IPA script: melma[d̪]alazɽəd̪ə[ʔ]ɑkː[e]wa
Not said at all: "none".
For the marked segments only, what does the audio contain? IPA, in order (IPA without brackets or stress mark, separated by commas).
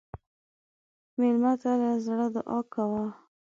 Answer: t̪, ʔ, a